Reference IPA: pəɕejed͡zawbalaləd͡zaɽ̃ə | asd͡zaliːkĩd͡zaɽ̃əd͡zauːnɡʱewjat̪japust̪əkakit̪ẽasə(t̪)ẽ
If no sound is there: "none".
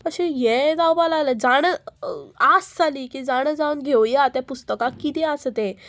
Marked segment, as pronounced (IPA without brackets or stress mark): t̪